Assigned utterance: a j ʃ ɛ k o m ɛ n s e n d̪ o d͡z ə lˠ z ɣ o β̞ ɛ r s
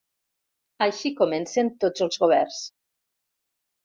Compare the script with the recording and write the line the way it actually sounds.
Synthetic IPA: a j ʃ i k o m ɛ n s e n t̪ o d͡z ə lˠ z ɣ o β̞ ɛ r s